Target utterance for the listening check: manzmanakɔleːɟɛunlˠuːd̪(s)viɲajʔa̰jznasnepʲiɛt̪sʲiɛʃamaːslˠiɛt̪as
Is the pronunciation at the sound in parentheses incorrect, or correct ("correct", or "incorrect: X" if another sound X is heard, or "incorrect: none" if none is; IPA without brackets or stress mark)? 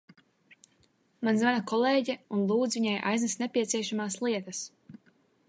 incorrect: z